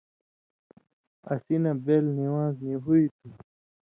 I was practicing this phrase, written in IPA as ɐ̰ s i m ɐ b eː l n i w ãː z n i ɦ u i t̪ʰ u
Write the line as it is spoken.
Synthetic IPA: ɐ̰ s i n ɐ b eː l n i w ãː z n i ɦ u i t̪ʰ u